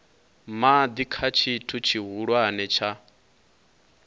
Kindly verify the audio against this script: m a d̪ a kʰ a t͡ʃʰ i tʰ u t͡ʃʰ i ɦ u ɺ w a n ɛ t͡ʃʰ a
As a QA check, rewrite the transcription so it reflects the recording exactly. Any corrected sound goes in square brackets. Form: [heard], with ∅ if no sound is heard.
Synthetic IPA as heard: m a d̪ [i] kʰ a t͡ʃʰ i tʰ u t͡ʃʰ i ɦ u ɺ w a n ɛ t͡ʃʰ a